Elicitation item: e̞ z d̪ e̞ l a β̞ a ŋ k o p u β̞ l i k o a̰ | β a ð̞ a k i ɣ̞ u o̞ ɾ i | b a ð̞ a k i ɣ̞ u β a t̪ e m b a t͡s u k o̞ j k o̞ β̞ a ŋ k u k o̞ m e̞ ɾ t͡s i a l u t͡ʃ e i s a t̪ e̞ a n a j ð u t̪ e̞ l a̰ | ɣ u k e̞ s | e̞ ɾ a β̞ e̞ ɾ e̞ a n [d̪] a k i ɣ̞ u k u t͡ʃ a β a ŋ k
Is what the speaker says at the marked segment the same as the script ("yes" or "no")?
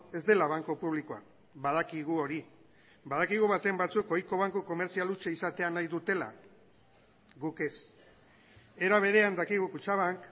yes